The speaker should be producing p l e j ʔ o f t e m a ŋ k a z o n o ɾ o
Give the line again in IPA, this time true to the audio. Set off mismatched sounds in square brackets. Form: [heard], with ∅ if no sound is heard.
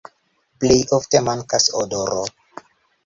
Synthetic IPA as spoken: p l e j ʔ o f t e m a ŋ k a [s] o [d] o ɾ o